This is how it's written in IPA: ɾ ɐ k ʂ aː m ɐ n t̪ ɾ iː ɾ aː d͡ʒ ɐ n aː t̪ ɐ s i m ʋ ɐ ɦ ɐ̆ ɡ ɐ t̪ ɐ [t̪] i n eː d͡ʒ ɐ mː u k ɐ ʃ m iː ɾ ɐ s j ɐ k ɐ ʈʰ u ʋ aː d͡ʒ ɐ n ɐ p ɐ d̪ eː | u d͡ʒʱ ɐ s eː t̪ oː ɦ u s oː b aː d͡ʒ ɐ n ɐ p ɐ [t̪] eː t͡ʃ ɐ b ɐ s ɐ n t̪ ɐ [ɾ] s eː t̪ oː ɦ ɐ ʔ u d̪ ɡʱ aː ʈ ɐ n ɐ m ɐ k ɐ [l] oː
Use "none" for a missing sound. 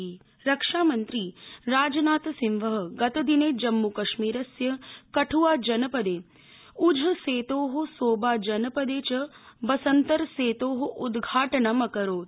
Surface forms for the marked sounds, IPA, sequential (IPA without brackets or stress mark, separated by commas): d̪, d̪, ɾ, ɾ